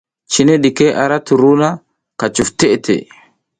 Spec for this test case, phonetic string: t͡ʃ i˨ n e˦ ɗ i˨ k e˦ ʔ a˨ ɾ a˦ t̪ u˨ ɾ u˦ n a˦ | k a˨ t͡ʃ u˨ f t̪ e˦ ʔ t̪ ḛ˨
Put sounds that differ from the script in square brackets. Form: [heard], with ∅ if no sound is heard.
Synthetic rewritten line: t͡ʃ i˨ n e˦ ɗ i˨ k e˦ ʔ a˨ ɾ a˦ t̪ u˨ ɾ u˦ n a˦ | k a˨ t͡ʃ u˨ f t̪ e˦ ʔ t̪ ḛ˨